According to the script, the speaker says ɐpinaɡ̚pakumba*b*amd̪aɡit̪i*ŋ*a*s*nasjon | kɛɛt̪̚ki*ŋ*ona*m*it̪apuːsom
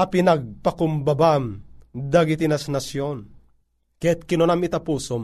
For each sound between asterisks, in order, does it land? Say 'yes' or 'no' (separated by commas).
yes, no, yes, no, yes